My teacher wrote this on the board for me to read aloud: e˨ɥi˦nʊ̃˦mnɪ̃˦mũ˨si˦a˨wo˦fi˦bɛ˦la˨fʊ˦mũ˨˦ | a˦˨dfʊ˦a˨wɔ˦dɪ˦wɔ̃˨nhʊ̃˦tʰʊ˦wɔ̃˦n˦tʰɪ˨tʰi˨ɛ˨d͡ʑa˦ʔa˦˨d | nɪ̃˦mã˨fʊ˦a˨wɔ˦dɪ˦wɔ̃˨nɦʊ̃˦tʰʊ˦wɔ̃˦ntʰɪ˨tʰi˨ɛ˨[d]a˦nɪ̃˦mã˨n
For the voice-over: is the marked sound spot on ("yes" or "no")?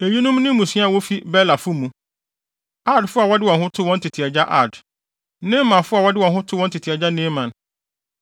no